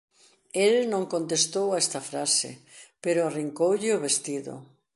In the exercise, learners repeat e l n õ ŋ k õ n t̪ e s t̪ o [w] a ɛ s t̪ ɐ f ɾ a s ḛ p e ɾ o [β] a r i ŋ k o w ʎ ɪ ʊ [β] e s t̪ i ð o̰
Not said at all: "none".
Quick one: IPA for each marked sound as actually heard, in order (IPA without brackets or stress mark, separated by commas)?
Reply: w, none, β